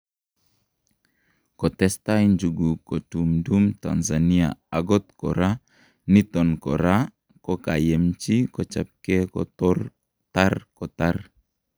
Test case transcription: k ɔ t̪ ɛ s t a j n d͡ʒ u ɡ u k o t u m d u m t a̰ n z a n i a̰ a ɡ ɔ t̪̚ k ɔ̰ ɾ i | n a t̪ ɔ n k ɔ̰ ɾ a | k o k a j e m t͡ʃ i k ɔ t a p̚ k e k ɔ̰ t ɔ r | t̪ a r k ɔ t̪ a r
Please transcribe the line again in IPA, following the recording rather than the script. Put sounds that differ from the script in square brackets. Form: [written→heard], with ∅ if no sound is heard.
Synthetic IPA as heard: k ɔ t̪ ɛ s t a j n d͡ʒ u ɡ u k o t u m d u m t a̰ n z a n i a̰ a ɡ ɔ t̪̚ k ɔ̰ ɾ [i→a] | n [a→i] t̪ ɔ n k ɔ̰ ɾ a | k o k a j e m t͡ʃ i k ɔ [t→t͡ʃ] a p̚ k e k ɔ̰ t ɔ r | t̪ a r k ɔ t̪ a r